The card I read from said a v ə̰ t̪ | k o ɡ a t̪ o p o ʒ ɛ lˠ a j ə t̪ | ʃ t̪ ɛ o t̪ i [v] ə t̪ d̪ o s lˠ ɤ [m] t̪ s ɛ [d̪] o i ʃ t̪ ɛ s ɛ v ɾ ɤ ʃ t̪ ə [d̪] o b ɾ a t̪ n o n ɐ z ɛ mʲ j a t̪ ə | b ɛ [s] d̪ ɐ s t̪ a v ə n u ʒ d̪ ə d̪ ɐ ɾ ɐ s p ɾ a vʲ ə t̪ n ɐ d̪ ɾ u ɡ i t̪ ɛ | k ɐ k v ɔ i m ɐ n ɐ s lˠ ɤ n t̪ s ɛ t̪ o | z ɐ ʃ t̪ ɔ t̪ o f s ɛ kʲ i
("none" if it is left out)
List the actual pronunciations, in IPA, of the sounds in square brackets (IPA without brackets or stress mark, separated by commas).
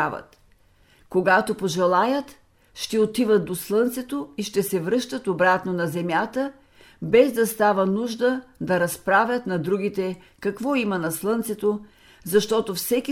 v, n, t̪, t̪, z